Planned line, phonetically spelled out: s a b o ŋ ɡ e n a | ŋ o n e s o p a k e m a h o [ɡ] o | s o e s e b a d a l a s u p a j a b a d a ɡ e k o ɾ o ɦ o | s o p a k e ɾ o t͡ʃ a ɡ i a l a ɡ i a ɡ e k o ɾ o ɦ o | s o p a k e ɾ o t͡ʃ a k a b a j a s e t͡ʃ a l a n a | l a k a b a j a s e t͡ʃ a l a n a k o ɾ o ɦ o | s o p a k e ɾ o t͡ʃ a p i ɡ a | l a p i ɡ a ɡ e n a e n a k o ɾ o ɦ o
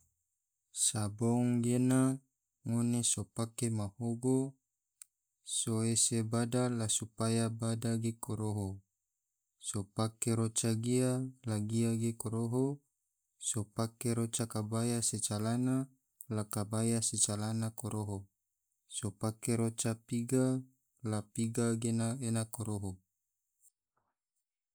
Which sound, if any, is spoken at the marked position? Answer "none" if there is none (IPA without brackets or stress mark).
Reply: ɡ